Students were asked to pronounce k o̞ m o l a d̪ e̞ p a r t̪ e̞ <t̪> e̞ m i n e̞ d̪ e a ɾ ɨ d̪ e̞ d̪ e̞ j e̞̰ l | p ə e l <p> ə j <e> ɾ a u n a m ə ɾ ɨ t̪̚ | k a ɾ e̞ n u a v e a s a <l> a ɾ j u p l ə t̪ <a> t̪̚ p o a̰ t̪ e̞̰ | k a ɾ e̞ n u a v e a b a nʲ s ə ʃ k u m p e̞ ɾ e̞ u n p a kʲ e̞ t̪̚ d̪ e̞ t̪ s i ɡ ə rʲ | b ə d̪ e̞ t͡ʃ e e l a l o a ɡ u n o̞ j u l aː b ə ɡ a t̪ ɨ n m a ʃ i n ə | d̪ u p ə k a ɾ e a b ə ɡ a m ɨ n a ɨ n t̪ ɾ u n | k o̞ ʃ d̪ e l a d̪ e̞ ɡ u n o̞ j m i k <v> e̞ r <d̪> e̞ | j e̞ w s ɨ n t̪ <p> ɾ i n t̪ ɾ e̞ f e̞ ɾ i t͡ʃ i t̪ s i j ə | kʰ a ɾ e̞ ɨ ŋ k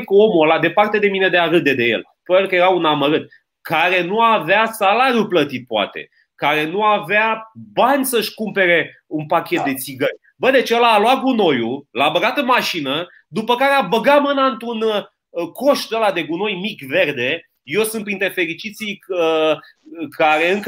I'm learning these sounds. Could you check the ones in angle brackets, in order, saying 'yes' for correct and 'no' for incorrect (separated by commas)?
no, no, yes, yes, no, yes, yes, yes